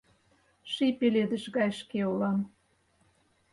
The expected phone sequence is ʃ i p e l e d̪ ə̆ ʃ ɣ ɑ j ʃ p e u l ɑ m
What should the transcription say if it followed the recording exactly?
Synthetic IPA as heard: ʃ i p e l e d̪ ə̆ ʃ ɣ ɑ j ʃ k e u l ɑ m